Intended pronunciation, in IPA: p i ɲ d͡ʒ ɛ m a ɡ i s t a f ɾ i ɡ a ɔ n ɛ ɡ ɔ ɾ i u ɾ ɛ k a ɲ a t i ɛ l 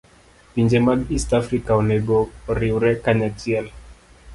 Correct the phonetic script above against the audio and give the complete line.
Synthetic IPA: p i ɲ d͡ʒ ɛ m a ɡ i s t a f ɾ i k a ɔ n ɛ ɡ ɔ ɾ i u ɾ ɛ k a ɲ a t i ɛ l